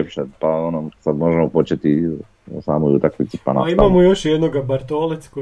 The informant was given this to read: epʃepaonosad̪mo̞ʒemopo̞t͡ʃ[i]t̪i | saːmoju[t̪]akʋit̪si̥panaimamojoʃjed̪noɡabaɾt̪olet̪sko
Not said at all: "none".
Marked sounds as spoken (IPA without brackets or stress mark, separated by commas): e, t̪